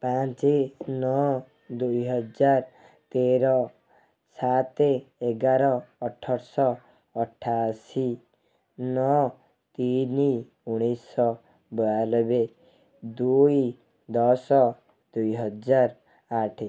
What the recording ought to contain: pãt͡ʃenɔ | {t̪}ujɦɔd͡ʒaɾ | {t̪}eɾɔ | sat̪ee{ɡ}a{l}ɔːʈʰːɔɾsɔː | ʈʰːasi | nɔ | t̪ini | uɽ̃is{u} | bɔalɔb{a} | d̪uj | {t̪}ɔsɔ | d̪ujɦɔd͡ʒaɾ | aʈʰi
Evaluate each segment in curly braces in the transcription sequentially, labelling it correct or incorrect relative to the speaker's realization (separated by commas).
incorrect, correct, correct, incorrect, incorrect, incorrect, incorrect